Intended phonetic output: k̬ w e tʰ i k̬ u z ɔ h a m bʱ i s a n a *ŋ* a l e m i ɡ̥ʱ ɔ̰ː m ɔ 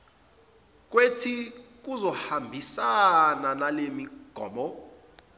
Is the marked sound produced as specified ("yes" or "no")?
no